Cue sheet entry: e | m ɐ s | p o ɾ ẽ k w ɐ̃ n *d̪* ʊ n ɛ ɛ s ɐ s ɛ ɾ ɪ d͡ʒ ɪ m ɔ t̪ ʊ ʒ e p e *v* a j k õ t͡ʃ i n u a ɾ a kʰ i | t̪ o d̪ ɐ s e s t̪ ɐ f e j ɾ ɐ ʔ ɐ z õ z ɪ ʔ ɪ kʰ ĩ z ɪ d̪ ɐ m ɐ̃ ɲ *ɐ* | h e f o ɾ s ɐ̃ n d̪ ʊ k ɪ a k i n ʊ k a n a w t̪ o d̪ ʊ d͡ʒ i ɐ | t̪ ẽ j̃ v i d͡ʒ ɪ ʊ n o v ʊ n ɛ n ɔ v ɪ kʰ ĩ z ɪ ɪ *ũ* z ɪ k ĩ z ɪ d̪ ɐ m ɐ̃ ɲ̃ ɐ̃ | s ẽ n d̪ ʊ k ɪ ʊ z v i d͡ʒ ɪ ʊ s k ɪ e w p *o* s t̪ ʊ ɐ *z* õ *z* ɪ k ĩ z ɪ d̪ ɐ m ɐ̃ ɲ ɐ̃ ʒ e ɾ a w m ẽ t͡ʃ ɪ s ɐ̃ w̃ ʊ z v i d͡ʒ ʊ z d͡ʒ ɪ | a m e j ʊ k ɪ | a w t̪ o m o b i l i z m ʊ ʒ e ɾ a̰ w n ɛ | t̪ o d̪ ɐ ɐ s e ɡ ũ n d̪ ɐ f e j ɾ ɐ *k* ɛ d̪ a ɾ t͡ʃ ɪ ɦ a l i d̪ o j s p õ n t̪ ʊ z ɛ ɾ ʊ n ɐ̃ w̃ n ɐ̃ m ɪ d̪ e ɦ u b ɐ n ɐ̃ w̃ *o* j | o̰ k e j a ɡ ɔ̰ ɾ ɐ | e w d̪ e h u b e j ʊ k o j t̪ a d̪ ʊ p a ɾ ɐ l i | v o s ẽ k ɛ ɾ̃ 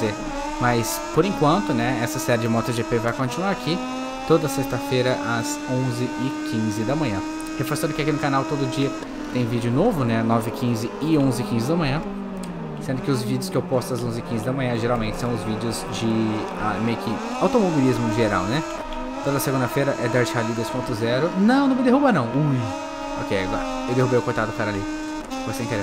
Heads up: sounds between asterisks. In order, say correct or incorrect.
incorrect, correct, incorrect, incorrect, incorrect, correct, correct, incorrect, incorrect

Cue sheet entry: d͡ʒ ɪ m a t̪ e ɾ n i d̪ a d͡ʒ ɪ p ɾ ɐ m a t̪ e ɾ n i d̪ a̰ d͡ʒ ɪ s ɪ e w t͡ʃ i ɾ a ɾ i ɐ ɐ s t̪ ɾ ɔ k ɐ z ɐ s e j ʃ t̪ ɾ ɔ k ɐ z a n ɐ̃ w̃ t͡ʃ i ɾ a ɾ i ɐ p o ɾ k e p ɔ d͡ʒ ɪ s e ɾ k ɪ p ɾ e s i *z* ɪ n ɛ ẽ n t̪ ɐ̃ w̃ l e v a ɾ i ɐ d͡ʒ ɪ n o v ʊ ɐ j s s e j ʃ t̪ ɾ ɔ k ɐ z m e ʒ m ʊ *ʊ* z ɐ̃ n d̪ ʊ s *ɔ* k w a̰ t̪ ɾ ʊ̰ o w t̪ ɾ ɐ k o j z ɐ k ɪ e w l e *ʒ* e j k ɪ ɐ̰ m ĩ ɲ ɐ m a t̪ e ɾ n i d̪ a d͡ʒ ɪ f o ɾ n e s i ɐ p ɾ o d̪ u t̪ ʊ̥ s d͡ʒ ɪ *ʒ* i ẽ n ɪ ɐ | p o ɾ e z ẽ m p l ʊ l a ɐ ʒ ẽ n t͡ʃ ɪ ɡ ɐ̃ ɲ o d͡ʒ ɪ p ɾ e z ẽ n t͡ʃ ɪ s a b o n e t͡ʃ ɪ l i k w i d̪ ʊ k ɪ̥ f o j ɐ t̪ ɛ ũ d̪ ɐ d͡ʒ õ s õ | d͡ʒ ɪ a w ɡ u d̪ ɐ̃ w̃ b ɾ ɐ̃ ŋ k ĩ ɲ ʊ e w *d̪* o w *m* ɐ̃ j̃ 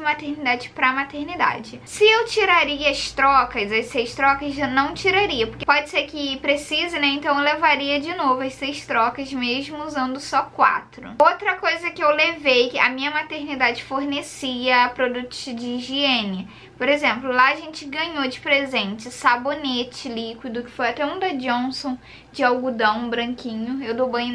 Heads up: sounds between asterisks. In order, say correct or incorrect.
correct, incorrect, correct, incorrect, correct, correct, incorrect

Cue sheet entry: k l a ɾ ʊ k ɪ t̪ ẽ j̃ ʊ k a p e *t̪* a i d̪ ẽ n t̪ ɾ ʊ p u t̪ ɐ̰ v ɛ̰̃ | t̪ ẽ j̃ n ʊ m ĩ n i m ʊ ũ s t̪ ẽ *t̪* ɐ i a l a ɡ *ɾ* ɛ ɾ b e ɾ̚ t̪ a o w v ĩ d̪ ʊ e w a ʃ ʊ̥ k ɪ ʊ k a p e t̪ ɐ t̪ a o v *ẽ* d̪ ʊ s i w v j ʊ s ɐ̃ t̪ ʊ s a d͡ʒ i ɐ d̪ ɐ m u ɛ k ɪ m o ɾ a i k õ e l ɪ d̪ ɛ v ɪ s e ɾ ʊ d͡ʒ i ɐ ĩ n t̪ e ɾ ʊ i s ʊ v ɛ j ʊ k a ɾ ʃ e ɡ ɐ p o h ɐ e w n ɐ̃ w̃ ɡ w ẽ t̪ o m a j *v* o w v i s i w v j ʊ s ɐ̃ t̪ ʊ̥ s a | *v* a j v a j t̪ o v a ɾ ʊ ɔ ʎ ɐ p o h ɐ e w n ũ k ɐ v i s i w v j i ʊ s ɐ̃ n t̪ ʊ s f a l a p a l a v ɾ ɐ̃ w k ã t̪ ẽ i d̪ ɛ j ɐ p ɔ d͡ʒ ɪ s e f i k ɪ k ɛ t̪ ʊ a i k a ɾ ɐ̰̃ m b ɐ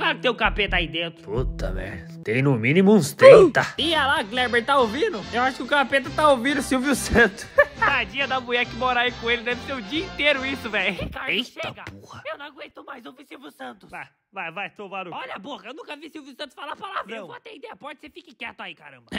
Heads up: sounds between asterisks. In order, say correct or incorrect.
correct, correct, incorrect, incorrect, incorrect, correct

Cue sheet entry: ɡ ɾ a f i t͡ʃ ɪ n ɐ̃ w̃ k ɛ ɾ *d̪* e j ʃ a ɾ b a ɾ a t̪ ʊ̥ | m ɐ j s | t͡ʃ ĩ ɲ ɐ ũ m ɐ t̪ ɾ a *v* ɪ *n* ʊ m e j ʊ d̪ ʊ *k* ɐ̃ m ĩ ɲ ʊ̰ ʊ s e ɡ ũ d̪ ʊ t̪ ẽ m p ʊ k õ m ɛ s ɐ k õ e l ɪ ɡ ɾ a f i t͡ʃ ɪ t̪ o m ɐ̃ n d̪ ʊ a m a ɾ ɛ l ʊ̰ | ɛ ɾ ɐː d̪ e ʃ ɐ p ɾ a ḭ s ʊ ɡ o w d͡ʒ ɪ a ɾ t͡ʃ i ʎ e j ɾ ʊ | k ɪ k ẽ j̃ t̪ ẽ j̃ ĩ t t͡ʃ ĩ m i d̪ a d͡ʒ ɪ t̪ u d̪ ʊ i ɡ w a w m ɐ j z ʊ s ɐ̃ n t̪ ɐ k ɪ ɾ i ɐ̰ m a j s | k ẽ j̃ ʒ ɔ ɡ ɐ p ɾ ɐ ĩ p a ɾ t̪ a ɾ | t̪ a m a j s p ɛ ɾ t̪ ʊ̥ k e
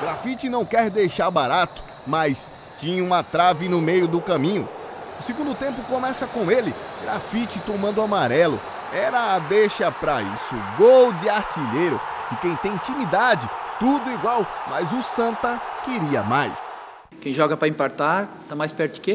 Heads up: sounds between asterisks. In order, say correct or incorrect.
correct, correct, correct, correct

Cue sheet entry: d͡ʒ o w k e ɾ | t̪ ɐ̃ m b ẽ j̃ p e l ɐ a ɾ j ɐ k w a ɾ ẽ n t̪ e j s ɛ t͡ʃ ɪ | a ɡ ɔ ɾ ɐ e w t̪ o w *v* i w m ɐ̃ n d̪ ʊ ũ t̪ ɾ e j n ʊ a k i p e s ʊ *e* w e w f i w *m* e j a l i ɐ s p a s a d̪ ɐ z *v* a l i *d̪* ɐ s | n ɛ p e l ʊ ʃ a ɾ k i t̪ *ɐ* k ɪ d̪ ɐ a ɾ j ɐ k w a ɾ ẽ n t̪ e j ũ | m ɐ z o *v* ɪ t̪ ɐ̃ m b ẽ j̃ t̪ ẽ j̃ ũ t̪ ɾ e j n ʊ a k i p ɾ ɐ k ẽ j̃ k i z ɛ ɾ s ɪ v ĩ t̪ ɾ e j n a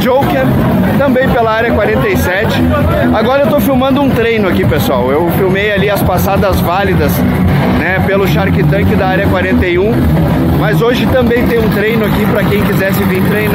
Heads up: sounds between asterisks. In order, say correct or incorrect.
incorrect, incorrect, correct, correct, correct, incorrect, incorrect

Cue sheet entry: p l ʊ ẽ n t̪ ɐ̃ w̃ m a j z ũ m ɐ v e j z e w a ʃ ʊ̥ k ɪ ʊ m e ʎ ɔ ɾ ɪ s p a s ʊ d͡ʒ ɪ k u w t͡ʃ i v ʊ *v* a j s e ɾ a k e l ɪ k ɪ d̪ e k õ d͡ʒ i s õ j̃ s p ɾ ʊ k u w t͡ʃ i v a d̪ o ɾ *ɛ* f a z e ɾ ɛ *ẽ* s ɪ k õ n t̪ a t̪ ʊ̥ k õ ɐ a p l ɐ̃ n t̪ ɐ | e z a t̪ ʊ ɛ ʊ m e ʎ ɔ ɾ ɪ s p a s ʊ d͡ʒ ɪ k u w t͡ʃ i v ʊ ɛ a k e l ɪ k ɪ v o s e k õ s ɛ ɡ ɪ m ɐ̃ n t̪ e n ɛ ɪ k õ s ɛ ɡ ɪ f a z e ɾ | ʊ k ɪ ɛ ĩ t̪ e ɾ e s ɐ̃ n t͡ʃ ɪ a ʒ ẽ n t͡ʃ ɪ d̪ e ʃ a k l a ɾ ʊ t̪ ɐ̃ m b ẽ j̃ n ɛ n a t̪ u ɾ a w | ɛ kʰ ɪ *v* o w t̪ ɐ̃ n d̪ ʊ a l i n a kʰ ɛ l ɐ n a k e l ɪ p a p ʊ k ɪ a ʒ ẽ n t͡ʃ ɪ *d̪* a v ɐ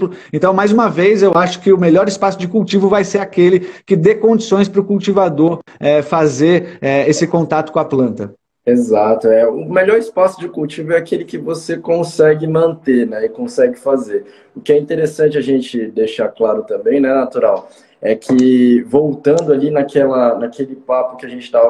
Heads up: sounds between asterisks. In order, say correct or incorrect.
correct, correct, incorrect, correct, incorrect

